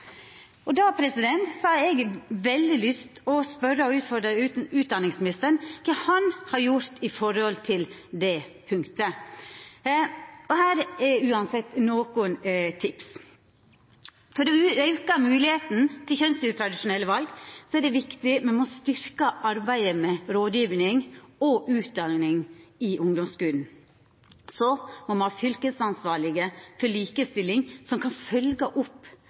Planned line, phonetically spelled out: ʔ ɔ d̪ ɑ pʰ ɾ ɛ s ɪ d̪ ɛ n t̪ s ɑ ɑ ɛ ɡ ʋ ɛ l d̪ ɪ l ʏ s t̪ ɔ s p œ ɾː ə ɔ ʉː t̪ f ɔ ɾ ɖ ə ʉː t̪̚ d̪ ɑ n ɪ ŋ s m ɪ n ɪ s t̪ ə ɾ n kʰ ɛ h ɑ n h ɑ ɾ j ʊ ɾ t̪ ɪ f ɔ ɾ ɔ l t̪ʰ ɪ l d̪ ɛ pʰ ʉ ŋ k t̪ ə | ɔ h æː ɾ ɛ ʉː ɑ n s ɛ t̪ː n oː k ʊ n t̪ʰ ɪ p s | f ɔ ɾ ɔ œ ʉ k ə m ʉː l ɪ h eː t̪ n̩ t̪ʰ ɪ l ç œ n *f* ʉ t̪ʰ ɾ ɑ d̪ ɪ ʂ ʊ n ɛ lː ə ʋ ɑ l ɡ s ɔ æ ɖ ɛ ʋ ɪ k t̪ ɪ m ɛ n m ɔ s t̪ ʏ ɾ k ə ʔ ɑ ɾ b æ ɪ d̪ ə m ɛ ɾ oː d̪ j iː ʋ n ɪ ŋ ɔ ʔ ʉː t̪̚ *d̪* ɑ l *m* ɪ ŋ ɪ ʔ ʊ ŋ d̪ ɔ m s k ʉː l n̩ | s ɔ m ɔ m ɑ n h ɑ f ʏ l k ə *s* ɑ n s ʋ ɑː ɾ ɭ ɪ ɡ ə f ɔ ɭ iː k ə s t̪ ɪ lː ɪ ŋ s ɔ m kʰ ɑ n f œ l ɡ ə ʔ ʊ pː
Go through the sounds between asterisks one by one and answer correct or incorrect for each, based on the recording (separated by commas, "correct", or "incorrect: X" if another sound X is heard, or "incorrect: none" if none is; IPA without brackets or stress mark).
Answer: incorrect: s, correct, incorrect: n, correct